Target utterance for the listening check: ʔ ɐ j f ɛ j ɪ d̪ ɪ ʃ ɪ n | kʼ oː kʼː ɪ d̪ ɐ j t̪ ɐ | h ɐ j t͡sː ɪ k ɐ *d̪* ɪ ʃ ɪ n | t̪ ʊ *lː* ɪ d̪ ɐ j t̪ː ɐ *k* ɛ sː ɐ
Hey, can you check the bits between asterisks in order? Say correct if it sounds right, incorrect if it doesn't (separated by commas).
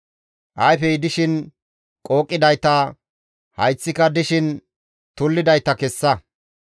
correct, correct, correct